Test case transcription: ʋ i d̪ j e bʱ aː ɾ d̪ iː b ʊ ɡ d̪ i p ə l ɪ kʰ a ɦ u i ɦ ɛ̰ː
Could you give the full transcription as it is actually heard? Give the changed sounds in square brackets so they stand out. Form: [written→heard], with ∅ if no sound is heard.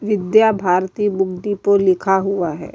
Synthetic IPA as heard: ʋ [i→ɪ] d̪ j [e→a] bʱ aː ɾ [d̪→t̪] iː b ʊ ɡ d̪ i p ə l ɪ kʰ a ɦ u [i→a] ɦ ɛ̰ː